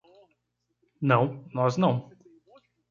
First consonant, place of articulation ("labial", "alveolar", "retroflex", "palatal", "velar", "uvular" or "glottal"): alveolar